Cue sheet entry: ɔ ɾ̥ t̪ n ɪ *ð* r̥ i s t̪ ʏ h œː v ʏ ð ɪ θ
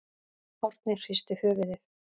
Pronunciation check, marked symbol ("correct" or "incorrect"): incorrect